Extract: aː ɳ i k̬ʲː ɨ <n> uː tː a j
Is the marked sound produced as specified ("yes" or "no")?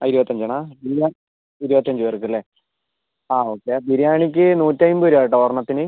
yes